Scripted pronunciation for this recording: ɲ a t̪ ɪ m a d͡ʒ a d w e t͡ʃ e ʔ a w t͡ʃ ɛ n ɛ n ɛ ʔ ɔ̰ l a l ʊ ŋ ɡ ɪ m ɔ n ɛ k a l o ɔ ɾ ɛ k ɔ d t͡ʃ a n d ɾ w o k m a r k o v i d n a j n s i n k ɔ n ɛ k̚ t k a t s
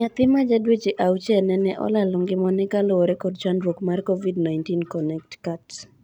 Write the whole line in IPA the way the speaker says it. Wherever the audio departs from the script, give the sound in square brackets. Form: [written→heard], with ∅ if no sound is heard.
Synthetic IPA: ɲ a t̪ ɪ m a d͡ʒ a d w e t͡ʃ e ʔ a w t͡ʃ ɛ n ɛ n ɛ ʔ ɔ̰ l a l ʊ ŋ ɡ ɪ m ɔ n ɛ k a l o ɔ ɾ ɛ k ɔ d t͡ʃ a n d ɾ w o k m a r k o v i d n a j n [s→t] i n k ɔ n ɛ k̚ t k a t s